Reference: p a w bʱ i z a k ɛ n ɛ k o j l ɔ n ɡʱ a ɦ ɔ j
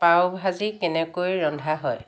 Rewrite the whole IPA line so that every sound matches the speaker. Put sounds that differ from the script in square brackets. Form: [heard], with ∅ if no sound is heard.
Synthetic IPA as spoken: p a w bʱ [a] z [i] k ɛ n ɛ k o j [ɹ] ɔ n [dʱ] a ɦ ɔ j

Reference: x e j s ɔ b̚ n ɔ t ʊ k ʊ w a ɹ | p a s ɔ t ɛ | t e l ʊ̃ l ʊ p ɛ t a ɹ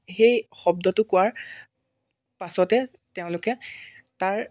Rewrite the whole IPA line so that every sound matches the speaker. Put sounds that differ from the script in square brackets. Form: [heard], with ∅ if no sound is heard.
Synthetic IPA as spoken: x e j [x] ɔ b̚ [d] ɔ t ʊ k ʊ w a ɹ | p a s ɔ t ɛ | t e [∅] ʊ̃ l ʊ [k] ɛ t a ɹ

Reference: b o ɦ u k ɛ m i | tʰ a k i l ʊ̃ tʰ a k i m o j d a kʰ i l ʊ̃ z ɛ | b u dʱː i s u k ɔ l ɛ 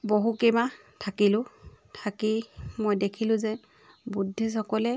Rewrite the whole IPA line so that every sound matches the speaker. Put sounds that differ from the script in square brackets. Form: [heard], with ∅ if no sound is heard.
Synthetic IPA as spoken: b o ɦ u k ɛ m [a] | tʰ a k i l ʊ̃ tʰ a k i m o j d [e] kʰ i l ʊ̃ z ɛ | b u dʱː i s [ɔ] k ɔ l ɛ

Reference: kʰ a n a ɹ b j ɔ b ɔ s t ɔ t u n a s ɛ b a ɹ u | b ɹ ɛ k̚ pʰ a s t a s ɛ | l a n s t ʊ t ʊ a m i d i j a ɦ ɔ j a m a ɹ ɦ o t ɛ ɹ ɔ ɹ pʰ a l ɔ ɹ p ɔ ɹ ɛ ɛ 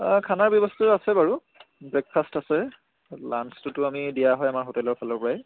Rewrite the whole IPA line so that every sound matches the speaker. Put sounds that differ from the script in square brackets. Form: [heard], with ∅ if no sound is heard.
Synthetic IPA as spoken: kʰ a n a ɹ b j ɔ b ɔ s t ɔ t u [∅] a s ɛ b a ɹ u | b ɹ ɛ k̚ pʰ a s t a s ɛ | l a n s t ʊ t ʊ a m i d i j a ɦ ɔ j a m a ɹ ɦ o t ɛ [l] ɔ ɹ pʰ a l ɔ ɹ p ɔ ɹ [a] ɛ

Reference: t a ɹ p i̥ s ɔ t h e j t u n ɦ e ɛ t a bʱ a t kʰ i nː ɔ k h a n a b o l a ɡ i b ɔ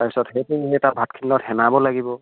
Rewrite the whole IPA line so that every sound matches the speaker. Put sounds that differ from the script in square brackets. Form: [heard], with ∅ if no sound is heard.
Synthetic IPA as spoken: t a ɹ p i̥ s ɔ t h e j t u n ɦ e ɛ t a bʱ a t kʰ i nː ɔ [t] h [ɛ] n a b [ɔ] l a ɡ i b ɔ

